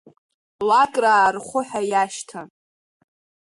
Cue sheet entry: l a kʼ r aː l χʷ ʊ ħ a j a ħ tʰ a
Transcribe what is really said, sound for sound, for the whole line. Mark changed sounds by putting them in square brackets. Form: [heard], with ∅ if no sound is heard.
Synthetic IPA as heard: l a kʼ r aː [r] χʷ ʊ ħ a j a [ʃ] tʰ a

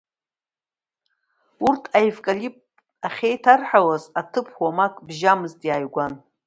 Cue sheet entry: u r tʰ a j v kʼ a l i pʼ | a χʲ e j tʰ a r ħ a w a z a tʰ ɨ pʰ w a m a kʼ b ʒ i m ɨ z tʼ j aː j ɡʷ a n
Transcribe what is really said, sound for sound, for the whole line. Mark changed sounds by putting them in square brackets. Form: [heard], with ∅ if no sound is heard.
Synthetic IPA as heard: u r tʰ a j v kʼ a l i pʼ | a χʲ e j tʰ a r ħ a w a z a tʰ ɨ pʰ w a m a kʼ b ʒ [a] m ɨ z tʼ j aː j ɡʷ a n

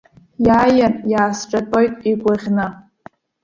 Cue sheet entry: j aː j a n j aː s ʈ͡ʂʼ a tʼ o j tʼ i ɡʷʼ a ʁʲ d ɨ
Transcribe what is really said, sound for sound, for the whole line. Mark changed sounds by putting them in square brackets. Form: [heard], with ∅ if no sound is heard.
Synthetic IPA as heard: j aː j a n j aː s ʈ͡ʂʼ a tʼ o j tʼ i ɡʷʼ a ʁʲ [n] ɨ

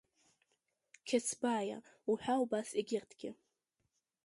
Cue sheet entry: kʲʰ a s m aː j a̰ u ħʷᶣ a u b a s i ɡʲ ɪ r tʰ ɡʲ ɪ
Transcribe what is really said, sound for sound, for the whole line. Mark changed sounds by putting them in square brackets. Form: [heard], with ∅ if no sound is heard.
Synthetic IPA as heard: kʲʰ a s [b] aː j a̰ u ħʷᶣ a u b a s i ɡʲ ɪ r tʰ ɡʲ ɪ

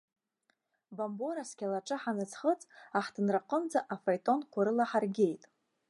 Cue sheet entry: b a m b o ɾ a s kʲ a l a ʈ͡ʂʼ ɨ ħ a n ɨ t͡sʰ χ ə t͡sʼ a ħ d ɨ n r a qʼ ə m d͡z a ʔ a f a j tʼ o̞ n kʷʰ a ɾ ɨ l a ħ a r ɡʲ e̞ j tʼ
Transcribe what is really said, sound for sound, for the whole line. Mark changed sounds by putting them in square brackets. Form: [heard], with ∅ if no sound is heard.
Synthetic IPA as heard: b a m b o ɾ a s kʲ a l a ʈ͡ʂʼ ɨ ħ a n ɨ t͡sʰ χ ə t͡sʼ a ħ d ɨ n r a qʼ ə m d͡z a ʔ a f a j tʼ o̞ n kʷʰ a ɾ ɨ l a ħ a r ɡʲ e̞ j tʼ

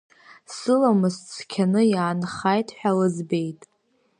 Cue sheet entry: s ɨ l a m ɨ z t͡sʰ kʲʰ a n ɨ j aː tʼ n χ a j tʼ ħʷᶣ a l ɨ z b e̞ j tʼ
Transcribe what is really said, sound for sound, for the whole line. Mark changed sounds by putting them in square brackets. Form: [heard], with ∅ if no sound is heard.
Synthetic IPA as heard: s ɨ l a m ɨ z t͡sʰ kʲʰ a n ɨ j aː [∅] n χ a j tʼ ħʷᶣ a l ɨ z b e̞ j tʼ

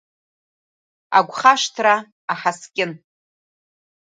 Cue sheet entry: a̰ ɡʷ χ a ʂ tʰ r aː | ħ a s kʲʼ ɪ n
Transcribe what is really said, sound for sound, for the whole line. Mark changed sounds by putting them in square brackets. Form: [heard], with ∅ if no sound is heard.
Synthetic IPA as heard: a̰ ɡʷ χ a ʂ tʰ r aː | ħ a s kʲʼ ɪ n

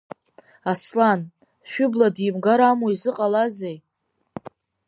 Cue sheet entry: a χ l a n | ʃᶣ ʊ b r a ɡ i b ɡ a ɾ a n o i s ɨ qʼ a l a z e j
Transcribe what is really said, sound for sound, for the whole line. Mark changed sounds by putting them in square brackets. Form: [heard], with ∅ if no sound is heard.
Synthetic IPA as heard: a [s] l a n | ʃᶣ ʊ b [l] a [d] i [m] ɡ a ɾ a [m] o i [z] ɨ qʼ a l a z e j

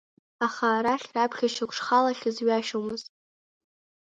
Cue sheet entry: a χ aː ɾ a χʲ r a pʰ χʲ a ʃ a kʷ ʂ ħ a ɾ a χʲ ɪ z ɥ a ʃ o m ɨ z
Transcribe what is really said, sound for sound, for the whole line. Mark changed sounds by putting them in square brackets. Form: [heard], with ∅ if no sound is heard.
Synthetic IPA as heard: a χ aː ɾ a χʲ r a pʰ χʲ a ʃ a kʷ ʂ [χ] a [l] a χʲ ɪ z ɥ a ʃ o m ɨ z

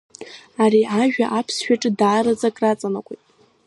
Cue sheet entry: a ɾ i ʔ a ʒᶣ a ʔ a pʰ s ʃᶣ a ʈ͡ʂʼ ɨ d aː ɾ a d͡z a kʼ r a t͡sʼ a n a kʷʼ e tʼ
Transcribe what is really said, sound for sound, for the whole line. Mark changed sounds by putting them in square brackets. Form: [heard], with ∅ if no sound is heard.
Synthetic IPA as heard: a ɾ i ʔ a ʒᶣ a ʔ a pʰ s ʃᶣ a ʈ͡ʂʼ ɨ d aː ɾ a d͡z a kʼ r a t͡sʼ a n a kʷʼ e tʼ

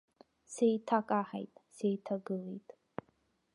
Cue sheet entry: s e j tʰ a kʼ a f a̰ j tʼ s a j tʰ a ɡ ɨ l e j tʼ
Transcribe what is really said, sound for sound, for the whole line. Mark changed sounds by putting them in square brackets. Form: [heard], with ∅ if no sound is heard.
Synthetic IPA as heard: s e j tʰ a kʼ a [ħ] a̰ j tʼ s [e] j tʰ a ɡ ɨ l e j tʼ

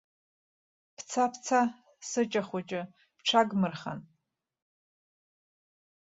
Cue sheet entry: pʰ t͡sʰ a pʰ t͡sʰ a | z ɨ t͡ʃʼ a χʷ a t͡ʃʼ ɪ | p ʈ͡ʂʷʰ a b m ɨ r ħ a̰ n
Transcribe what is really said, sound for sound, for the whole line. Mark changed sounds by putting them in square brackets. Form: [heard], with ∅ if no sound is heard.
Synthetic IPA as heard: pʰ t͡sʰ a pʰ t͡sʰ a | [s] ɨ t͡ʃʼ a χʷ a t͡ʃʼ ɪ | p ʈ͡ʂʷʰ a [ɡ] m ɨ r [χ] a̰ n

